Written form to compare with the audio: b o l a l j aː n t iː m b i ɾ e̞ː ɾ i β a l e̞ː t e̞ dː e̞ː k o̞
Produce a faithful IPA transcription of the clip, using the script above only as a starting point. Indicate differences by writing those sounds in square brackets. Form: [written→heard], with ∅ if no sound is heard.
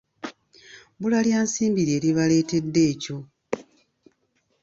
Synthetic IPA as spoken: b [o→u] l a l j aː n [t→s] iː m b i ɾ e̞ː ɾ i β a l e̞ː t e̞ dː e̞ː [k→c] o̞